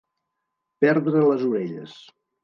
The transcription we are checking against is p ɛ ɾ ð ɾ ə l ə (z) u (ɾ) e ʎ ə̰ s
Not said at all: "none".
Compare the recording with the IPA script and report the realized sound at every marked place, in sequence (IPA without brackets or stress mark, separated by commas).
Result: z, ɾ